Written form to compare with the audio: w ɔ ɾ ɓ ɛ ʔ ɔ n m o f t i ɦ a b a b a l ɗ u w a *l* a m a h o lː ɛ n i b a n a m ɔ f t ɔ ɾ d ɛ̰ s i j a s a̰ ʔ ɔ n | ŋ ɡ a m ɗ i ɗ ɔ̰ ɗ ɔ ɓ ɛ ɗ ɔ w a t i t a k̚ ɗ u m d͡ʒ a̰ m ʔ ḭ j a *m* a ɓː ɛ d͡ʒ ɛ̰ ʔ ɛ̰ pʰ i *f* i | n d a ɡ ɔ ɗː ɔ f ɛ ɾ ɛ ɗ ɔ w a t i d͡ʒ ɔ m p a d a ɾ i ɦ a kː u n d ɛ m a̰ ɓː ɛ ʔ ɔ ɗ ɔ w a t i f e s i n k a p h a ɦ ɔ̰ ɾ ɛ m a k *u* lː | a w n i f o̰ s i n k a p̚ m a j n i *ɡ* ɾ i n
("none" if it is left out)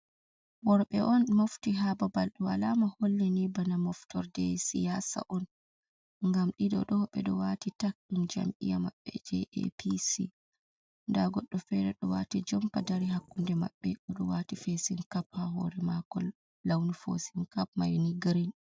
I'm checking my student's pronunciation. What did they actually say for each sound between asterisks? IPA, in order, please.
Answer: l, m, s, ɔ, ɡ

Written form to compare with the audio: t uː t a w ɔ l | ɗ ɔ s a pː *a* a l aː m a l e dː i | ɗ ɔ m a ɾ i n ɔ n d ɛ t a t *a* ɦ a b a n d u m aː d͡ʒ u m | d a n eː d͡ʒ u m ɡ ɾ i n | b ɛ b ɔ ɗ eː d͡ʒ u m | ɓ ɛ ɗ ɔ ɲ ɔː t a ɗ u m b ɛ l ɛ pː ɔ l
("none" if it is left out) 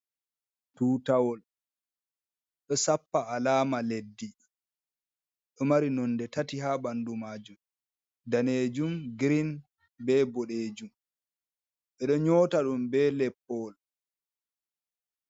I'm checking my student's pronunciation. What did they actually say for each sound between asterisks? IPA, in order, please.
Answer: a, i

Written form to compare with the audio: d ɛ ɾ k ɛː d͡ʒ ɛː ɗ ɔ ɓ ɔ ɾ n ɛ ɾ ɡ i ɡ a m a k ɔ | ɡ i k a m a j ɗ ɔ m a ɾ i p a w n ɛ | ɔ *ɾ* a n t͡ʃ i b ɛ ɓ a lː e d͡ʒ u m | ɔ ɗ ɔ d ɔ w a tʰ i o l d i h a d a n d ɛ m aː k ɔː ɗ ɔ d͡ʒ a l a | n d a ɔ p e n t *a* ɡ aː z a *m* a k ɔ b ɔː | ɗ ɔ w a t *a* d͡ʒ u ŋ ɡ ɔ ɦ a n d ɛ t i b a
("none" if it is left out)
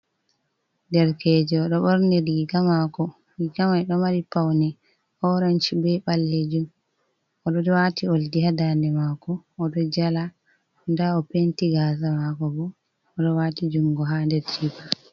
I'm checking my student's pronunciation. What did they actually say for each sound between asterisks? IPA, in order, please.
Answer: ɾ, i, m, i

